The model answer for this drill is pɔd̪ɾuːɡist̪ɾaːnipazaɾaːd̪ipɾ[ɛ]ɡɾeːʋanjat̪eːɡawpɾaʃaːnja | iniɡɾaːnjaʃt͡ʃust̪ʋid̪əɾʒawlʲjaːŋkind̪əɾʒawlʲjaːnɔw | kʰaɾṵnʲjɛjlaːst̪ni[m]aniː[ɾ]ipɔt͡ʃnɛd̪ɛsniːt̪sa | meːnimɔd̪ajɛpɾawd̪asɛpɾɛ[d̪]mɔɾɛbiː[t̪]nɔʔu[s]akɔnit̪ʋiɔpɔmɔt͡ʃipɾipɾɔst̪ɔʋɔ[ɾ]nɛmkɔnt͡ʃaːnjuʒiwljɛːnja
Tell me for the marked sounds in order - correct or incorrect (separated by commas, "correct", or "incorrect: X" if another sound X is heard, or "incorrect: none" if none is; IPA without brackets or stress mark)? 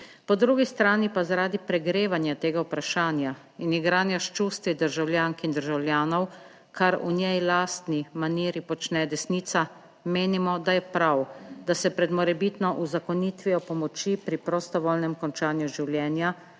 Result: correct, correct, correct, correct, correct, incorrect: z, incorrect: l